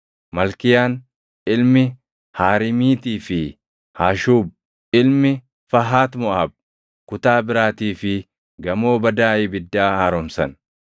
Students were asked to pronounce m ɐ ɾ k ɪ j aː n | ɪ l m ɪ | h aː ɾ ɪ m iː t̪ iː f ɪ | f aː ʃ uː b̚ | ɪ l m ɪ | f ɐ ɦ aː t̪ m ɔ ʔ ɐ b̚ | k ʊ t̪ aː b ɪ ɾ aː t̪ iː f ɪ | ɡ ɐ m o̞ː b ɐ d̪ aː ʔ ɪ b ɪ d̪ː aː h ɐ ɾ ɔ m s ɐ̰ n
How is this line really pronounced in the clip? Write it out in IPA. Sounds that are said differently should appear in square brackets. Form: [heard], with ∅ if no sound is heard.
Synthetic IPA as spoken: m ɐ [l] k ɪ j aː n | ɪ l m ɪ | h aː ɾ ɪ m iː t̪ iː f ɪ | [h] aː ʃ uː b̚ | ɪ l m ɪ | f ɐ ɦ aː t̪ m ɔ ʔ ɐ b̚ | k ʊ t̪ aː b ɪ ɾ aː t̪ iː f ɪ | ɡ ɐ m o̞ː b ɐ d̪ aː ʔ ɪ b ɪ d̪ː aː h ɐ ɾ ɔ m s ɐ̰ n